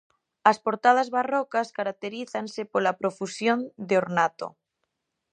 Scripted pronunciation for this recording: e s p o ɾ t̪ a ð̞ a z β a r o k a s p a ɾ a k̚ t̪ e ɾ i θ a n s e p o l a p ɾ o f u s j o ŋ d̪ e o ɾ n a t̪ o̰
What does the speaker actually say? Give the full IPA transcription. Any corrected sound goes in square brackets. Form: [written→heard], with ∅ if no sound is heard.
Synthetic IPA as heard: [e→a] s p o ɾ t̪ a ð̞ a z β a r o k a s [p→k] a ɾ a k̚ t̪ e ɾ i θ a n s e p o l a p ɾ o f u s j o [ŋ→n] d̪ e o ɾ n a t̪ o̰